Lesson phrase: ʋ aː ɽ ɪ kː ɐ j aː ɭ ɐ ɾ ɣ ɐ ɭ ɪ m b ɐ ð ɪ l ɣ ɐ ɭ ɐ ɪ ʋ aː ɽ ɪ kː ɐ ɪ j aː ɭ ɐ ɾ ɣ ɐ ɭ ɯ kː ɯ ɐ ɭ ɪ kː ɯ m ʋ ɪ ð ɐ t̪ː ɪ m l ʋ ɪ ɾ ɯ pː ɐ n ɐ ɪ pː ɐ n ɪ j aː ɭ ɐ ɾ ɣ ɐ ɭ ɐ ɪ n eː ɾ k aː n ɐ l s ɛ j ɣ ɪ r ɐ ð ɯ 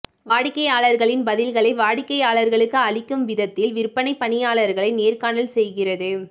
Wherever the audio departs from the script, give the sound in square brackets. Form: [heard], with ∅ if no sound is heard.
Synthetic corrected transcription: ʋ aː ɽ ɪ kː ɐ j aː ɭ ɐ ɾ ɣ ɐ ɭ ɪ [n] b ɐ ð ɪ l ɣ ɐ ɭ ɐ ɪ ʋ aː ɽ ɪ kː ɐ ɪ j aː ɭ ɐ ɾ ɣ ɐ ɭ ɯ kː ɯ ɐ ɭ ɪ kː ɯ m ʋ ɪ ð ɐ t̪ː ɪ [∅] l ʋ ɪ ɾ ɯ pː ɐ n ɐ ɪ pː ɐ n ɪ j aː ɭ ɐ ɾ ɣ ɐ ɭ ɐ ɪ n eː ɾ k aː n ɐ l s ɛ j ɣ ɪ r ɐ ð ɯ